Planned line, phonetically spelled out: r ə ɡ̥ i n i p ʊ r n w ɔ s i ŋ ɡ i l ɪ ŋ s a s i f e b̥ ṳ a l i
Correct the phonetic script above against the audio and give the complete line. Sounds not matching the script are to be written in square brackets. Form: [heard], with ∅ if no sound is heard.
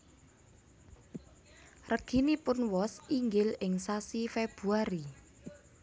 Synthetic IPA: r ə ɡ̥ i n i p ʊ [∅] n w ɔ s i ŋ ɡ [ɪ] l ɪ ŋ s a s i f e b̥ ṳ a [ɾ] i